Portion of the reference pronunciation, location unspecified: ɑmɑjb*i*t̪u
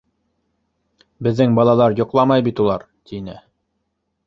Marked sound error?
no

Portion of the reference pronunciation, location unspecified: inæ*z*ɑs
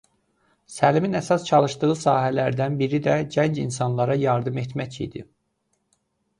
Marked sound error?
yes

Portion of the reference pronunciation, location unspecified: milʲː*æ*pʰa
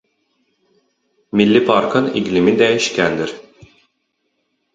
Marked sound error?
yes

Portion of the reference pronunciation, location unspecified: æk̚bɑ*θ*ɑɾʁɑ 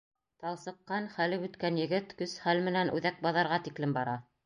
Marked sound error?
yes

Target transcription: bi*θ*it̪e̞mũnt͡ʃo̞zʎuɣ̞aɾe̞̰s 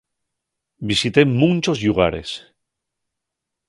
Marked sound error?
yes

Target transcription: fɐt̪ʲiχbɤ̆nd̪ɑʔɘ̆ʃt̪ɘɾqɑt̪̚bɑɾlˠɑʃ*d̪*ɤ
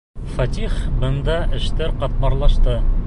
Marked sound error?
yes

